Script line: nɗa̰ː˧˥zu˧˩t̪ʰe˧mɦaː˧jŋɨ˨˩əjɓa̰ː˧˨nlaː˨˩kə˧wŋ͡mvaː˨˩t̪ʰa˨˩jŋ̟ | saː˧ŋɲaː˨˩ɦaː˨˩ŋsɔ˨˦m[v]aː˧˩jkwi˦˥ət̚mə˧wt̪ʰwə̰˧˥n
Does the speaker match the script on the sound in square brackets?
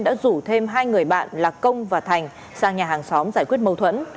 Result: no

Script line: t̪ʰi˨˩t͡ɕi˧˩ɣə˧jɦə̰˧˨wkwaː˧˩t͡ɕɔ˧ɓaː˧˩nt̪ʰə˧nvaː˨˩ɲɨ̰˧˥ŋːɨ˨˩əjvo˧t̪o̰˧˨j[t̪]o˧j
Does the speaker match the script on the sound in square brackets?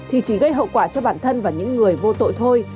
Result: no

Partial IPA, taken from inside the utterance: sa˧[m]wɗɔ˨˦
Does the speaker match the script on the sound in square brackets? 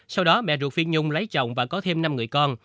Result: no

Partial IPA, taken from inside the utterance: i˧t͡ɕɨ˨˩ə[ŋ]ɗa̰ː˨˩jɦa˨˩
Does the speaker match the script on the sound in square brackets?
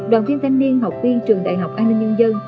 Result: yes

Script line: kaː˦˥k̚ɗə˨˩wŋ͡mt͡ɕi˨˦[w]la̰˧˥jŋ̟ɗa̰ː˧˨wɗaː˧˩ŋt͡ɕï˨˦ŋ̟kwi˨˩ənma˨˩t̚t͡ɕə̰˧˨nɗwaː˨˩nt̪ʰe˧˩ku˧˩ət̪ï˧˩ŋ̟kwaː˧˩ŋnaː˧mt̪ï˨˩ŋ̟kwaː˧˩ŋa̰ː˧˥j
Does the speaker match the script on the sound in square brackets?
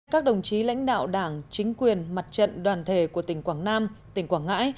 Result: no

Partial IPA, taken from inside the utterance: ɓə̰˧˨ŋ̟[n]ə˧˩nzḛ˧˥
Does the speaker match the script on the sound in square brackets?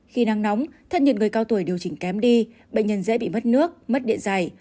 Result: no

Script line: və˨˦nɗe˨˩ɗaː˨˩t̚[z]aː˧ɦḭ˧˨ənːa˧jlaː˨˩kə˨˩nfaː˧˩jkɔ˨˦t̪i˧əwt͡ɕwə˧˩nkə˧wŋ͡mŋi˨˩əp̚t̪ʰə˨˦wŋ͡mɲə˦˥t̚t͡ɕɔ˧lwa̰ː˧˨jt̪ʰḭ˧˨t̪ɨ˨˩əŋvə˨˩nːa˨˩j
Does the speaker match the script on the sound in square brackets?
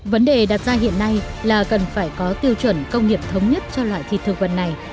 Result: yes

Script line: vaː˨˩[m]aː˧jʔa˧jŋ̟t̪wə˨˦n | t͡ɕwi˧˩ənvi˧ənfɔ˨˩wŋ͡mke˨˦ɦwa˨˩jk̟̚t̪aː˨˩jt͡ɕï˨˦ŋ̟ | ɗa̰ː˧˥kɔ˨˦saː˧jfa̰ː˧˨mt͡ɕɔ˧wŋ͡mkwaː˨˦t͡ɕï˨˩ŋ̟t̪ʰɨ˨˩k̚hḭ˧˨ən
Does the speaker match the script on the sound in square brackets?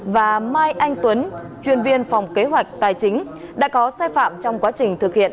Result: yes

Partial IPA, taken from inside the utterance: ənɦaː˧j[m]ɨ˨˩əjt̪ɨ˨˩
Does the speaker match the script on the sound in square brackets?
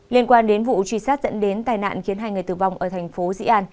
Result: no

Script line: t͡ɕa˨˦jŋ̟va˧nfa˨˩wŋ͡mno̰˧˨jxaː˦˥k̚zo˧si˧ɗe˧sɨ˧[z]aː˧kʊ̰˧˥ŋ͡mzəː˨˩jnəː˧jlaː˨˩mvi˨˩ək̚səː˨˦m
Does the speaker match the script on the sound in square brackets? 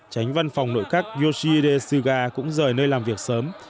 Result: no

